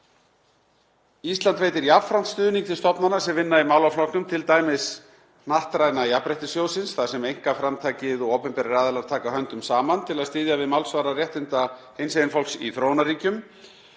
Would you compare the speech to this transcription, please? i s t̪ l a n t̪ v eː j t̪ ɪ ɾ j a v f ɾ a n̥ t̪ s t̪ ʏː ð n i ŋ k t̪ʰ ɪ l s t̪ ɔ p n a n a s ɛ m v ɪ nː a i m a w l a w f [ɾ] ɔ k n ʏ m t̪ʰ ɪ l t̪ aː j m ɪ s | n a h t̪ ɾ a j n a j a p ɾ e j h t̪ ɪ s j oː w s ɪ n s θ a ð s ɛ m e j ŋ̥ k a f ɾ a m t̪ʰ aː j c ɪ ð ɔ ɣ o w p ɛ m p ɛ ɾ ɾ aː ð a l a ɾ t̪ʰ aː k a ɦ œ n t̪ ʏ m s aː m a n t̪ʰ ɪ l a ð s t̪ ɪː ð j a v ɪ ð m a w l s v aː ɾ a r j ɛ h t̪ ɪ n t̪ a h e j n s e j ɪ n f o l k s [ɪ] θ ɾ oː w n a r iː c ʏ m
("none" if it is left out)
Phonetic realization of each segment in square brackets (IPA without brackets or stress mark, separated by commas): l, i